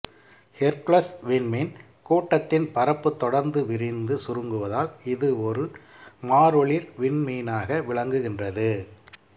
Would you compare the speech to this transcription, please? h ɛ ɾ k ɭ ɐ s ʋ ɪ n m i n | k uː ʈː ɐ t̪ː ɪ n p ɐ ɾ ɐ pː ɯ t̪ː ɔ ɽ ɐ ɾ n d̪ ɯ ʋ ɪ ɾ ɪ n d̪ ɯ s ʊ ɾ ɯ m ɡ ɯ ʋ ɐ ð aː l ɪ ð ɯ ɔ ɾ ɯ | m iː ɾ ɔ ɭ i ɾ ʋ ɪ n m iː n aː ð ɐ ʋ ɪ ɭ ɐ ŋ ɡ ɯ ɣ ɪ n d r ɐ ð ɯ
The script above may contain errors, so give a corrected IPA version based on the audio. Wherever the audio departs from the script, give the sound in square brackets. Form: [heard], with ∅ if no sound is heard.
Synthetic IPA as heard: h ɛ ɾ k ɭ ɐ s ʋ ɪ n m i n | k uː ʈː ɐ t̪ː ɪ n p ɐ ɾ ɐ pː ɯ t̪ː ɔ ɽ ɐ ɾ n d̪ ɯ ʋ ɪ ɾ ɪ n d̪ ɯ s ʊ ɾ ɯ [ŋ] ɡ ɯ ʋ ɐ ð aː l ɪ ð ɯ ɔ ɾ ɯ | m [aː] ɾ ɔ ɭ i ɾ ʋ ɪ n m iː n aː [ɣ] ɐ ʋ ɪ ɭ ɐ ŋ ɡ ɯ ɣ ɪ n d r ɐ ð ɯ